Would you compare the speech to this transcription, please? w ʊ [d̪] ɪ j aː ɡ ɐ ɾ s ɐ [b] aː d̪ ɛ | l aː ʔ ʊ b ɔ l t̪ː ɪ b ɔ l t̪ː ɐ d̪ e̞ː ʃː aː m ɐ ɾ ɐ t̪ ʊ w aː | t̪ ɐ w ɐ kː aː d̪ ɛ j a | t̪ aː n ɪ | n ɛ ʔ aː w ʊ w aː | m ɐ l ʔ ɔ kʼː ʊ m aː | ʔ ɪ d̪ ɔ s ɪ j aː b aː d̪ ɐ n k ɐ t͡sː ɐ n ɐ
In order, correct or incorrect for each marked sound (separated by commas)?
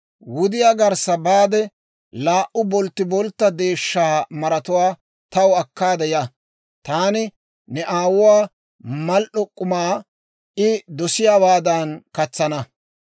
correct, correct